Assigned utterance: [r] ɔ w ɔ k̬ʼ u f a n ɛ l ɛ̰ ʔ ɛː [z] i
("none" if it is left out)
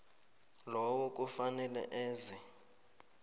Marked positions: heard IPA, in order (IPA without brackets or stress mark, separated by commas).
l, z